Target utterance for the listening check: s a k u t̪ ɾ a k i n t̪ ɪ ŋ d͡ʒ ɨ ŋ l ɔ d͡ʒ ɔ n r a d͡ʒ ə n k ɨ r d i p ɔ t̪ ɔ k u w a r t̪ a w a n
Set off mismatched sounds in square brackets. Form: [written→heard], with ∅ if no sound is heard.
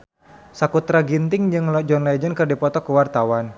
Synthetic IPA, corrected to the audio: s a k u t̪ ɾ a [k→ɡ] i n t̪ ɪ ŋ d͡ʒ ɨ ŋ l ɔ d͡ʒ ɔ n [r→l] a d͡ʒ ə n k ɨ r d i p ɔ t̪ ɔ k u w a r t̪ a w a n